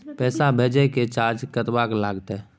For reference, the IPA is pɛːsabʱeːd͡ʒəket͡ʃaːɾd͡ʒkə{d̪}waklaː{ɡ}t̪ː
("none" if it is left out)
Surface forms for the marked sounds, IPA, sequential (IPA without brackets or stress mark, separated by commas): t̪, ɡ